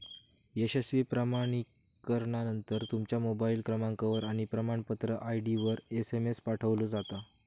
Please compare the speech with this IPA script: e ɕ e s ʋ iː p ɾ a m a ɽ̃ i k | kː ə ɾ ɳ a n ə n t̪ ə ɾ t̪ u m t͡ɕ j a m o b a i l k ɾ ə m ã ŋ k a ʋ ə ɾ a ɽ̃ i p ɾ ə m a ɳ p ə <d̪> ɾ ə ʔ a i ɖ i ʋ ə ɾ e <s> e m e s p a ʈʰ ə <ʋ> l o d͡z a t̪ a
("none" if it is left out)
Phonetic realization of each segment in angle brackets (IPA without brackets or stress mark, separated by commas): t̪, s, ʋ